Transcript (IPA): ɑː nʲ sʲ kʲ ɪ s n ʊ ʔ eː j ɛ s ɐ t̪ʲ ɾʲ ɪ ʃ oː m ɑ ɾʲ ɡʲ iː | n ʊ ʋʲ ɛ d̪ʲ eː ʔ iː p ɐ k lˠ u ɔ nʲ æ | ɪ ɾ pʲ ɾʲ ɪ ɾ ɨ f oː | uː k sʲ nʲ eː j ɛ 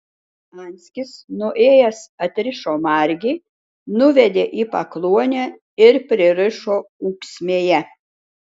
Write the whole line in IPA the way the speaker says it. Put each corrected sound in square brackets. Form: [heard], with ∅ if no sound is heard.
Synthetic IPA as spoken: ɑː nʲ sʲ kʲ ɪ s n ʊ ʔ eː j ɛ s ɐ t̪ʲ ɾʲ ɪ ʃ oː m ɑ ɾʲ ɡʲ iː | n ʊ ʋʲ ɛ d̪ʲ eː ʔ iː p ɐ k lˠ u ɔ nʲ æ | ɪ ɾ pʲ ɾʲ ɪ ɾ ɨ [ʃ] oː | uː k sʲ [mʲ] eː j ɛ